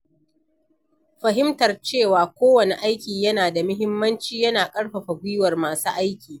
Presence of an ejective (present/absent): present